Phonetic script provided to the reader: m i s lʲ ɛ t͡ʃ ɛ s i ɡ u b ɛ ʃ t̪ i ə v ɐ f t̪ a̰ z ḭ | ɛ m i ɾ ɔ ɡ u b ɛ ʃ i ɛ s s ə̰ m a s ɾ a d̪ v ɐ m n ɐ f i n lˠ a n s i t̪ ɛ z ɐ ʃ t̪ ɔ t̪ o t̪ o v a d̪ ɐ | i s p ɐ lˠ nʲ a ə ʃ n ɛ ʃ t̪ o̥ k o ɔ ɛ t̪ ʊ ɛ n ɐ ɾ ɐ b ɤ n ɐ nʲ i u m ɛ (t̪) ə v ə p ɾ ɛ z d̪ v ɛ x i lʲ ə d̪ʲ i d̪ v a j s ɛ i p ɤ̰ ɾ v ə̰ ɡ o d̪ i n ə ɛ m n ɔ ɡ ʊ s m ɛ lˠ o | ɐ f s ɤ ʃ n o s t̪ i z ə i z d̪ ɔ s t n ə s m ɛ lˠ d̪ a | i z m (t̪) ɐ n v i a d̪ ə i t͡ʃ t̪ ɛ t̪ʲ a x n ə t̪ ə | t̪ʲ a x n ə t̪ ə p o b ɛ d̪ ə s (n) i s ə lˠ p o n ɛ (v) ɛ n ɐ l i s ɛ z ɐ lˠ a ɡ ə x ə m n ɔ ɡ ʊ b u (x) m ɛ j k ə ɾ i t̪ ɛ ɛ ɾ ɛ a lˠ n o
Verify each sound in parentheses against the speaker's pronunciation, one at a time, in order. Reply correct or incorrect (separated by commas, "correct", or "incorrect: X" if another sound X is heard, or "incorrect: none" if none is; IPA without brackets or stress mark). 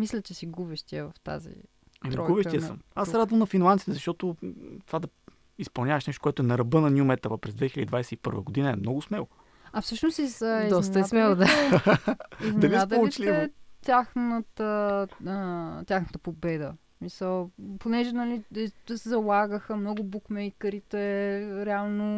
correct, incorrect: d̪, incorrect: m, incorrect: ʒ, incorrect: k